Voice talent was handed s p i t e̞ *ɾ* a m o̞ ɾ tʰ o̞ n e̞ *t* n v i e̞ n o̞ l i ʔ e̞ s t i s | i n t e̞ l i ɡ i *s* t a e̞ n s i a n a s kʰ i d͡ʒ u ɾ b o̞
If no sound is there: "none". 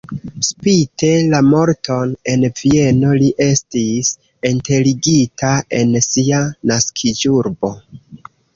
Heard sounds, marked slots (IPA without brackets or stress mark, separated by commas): l, none, none